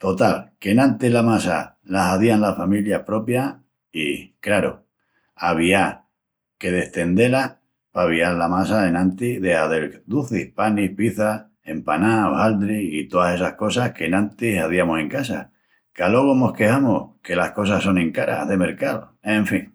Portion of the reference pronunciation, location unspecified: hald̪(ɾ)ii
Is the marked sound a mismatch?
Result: no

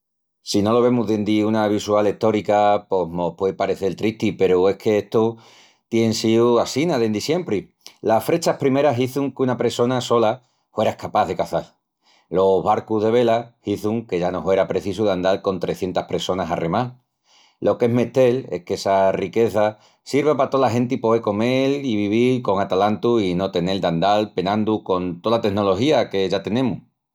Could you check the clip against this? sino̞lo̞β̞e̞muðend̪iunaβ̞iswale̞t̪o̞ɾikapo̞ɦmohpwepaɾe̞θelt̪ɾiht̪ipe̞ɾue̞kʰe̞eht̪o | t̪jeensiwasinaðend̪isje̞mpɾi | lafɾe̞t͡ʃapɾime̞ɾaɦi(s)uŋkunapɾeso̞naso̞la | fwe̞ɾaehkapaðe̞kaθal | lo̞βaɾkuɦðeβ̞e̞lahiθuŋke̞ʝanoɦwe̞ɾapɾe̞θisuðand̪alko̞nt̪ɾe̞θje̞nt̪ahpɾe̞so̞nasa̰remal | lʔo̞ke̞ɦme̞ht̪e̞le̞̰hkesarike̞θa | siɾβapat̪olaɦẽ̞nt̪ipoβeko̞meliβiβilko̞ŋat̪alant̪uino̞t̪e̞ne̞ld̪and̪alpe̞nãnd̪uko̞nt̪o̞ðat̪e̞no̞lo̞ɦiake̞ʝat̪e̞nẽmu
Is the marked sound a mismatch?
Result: yes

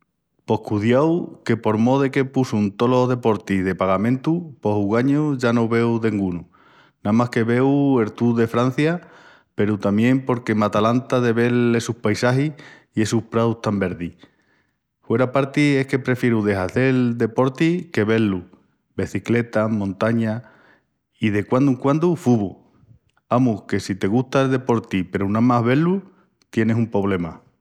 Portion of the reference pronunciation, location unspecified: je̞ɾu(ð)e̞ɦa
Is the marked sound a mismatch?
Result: no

